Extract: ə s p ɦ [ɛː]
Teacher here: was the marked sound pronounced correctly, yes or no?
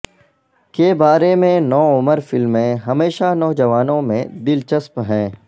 no